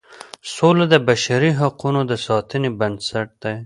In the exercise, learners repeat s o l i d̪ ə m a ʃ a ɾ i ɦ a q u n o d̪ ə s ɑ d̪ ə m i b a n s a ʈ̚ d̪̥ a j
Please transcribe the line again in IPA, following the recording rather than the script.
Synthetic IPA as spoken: s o l a d̪ ə b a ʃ a ɾ i ɦ a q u n o d̪ ə s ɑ t̪ ə n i b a n s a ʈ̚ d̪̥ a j